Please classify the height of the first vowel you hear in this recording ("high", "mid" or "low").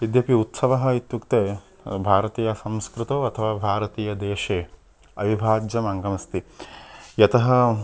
high